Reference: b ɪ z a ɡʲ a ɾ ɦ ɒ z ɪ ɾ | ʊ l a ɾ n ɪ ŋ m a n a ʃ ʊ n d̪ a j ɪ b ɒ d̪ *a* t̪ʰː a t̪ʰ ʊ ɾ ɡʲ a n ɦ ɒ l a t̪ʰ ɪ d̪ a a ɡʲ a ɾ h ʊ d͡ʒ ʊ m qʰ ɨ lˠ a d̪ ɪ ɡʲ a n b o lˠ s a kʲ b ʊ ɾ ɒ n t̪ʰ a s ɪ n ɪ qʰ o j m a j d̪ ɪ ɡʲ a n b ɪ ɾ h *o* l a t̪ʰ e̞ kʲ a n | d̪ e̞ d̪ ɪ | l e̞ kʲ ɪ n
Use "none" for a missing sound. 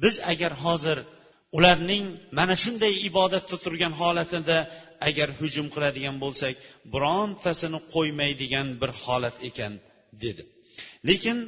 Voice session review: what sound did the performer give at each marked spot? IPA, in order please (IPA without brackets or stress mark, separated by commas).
a, ɒ